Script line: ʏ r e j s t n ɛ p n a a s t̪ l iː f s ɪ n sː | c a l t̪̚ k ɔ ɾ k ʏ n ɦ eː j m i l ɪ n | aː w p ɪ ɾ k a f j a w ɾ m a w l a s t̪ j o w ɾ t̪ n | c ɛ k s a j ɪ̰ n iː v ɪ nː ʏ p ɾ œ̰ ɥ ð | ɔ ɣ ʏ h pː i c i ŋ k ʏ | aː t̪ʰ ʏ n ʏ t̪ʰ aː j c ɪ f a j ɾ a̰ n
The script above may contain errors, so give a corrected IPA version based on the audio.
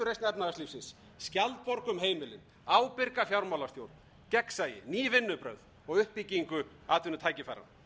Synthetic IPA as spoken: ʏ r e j s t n ɛ p n a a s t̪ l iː f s ɪ n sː | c a l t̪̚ p ɔ ɾ k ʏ m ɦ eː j m ɪ l ɪ n | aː w p ɪ ɾ k a f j a w ɾ m a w l a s t̪ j o w ɾ t̪ n | c ɛ k s a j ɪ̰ n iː v ɪ nː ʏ p ɾ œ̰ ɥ ð | ɔ ɣ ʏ h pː i c i ŋ k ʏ | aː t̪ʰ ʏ n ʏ t̪ʰ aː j c ɪ f a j ɾ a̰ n